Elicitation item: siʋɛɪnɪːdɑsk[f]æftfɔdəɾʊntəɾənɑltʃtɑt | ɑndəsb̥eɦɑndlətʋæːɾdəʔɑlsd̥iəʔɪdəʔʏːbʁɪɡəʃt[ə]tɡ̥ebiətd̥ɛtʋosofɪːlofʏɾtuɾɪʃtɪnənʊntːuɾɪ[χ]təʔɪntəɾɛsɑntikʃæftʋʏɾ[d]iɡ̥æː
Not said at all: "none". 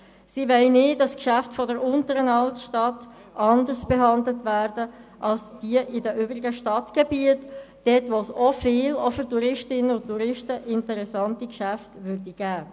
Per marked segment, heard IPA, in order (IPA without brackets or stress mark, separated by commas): ʃ, ɑ, ʃ, d